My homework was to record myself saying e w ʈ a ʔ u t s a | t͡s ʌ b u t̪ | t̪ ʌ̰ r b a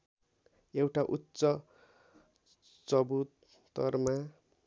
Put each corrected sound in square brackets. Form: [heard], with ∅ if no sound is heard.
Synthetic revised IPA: e w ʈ a ʔ u t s [ʌ] | t͡s ʌ b u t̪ | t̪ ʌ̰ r [m] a

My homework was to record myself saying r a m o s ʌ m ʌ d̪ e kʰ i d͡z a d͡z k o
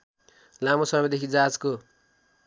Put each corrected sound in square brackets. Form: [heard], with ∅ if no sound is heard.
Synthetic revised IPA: [l] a m o s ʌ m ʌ d̪ e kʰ i d͡z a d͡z k o

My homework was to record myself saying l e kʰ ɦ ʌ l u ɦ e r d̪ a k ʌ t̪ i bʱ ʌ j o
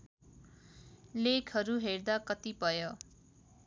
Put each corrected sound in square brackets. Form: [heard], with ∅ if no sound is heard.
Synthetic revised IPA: l e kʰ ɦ ʌ [ɾ] u ɦ e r d̪ a k ʌ t̪ i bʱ ʌ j o

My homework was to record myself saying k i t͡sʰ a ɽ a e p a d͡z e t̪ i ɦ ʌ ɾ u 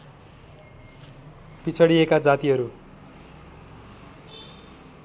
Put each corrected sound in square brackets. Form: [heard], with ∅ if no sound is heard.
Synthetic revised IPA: [p] i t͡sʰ [ʌ] ɽ [i] e [k] a d͡z [a] t̪ i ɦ ʌ ɾ u

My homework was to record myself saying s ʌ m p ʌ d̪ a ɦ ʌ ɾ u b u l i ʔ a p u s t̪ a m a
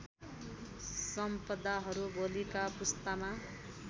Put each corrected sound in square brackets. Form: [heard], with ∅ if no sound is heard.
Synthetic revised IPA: s ʌ m p ʌ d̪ a ɦ ʌ ɾ u b [o] l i [k] a p u s t̪ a m a

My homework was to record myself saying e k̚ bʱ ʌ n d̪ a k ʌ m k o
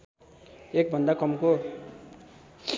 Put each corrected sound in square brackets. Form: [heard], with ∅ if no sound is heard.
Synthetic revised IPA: e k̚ bʱ ʌ n d̪ a k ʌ m k o

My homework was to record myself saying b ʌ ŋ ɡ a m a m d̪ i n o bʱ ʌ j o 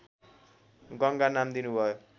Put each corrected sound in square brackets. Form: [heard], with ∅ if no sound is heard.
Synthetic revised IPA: [ɡ] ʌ ŋ ɡ a [n] a m d̪ i n [u] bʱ ʌ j o

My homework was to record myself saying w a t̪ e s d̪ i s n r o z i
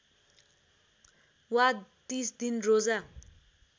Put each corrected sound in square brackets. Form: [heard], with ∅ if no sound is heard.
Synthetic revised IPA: w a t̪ [i] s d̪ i [∅] n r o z [a]

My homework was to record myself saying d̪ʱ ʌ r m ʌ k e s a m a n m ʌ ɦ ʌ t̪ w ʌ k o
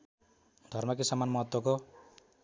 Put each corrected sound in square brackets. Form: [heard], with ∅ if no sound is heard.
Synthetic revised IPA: d̪ʱ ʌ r m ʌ k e s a m a n m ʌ ɦ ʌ t̪ w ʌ k o

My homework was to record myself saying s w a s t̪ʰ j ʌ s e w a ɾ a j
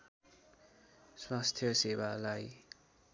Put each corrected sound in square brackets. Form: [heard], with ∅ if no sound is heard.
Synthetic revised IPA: s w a s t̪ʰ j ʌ s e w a [l] a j

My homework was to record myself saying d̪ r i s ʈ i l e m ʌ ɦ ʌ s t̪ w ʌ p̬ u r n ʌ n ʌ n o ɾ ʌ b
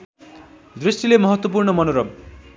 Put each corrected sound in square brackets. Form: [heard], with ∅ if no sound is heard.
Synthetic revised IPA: d̪ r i s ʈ i l e m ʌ ɦ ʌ [∅] t̪ w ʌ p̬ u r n ʌ [m] ʌ n o ɾ ʌ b

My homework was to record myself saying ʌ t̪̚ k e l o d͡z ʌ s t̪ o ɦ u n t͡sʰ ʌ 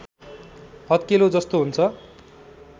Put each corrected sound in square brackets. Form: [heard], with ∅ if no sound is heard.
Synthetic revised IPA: ʌ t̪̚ k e l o d͡z ʌ s t̪ o ɦ u n t͡sʰ ʌ

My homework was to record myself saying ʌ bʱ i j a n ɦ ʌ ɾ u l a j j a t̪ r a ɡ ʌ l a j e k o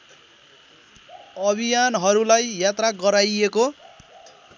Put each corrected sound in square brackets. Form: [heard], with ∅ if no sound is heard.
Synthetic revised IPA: ʌ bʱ i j a n ɦ ʌ ɾ u l a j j a t̪ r a ɡ ʌ [ɾ] a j e k o

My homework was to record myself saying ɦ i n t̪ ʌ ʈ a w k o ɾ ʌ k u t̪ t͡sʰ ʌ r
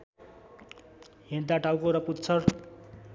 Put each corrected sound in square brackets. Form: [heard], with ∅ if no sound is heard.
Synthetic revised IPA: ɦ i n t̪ [a] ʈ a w k o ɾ ʌ [p] u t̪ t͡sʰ ʌ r

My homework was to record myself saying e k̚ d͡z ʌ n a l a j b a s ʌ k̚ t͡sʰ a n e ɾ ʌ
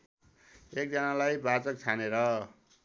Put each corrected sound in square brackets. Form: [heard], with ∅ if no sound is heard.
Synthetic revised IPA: e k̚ d͡z ʌ n a l a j b a [t͡s] ʌ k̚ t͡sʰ a n e ɾ ʌ

